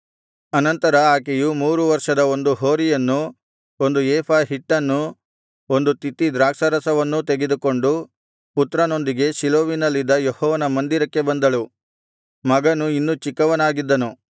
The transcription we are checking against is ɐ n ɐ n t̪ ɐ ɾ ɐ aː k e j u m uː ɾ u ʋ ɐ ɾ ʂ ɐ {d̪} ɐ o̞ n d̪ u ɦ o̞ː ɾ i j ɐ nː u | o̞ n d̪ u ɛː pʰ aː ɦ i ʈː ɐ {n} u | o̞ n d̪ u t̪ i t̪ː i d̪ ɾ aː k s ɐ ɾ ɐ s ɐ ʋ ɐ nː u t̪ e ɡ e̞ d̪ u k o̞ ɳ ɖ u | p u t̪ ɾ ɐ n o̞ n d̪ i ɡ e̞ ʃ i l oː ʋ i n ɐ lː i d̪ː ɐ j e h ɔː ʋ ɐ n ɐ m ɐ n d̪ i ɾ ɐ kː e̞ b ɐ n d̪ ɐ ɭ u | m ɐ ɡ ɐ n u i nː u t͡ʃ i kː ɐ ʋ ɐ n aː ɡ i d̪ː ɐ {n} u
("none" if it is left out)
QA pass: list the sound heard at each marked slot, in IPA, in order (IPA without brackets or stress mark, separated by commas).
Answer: d̪, nː, n